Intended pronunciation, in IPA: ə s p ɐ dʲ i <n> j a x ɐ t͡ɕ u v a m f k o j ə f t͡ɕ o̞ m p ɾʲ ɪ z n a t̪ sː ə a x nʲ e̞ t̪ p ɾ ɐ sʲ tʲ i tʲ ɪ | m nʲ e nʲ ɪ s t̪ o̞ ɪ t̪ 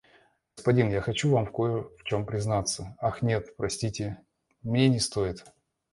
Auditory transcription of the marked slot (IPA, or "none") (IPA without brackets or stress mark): n